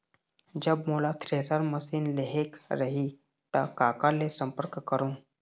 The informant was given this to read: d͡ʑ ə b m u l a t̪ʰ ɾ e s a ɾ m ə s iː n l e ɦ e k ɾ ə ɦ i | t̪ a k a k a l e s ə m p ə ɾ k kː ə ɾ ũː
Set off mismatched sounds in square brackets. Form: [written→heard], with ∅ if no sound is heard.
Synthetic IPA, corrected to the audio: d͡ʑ ə b m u l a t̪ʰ ɾ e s a ɾ m ə s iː n l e ɦ e k ɾ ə ɦ i | t̪ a k a k a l e s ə m p ə ɾ k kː ə ɾ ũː